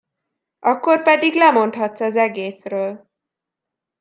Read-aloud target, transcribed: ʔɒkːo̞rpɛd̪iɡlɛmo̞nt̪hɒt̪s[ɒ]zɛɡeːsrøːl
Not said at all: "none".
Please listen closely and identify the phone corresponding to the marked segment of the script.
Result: ɒ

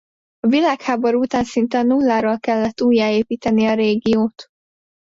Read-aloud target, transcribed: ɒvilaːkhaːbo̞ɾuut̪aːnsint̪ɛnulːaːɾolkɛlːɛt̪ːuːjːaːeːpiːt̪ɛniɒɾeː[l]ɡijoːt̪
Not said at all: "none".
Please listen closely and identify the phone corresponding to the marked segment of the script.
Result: none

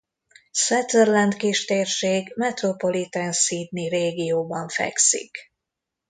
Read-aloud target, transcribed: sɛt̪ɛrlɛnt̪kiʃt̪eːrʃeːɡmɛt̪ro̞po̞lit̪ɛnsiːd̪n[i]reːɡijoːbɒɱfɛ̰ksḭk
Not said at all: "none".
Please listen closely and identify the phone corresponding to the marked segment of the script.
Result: i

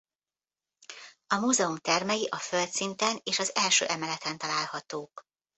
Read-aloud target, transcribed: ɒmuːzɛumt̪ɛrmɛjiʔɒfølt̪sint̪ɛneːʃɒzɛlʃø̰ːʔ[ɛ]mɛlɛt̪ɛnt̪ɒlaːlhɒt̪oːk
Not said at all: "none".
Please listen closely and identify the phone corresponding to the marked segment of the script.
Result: ɛ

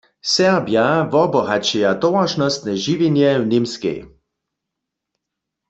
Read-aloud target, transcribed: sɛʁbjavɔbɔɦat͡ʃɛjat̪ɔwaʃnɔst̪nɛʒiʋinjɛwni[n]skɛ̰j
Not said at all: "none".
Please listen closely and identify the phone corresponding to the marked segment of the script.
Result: m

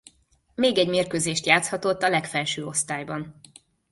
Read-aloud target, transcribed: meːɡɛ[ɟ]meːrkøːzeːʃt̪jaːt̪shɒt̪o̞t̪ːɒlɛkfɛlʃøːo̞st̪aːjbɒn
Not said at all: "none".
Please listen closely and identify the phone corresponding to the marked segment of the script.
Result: ɟ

